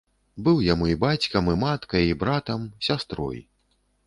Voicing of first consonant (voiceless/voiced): voiced